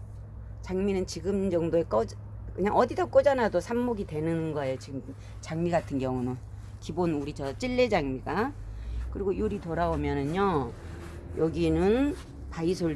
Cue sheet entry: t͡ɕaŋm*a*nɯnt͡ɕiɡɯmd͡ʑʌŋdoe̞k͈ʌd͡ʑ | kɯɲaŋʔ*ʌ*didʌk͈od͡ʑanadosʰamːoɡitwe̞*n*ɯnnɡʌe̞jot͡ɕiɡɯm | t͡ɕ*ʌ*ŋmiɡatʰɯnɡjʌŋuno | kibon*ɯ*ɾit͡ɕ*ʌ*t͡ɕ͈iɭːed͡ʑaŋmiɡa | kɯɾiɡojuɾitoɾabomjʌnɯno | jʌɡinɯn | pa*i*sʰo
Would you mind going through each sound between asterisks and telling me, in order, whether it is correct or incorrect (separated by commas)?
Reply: incorrect, correct, correct, incorrect, incorrect, correct, correct